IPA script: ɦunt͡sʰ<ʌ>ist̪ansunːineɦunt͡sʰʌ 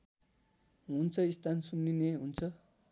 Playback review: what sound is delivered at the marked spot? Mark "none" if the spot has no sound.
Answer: ʌ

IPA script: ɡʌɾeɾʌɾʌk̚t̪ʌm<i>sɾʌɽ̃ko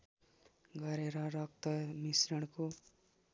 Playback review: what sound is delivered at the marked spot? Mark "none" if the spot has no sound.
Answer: i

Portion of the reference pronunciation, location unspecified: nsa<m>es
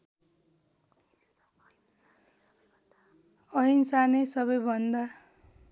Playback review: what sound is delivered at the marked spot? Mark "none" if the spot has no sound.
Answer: n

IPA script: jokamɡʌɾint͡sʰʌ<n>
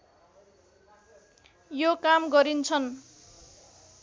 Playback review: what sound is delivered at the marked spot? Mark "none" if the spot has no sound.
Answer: n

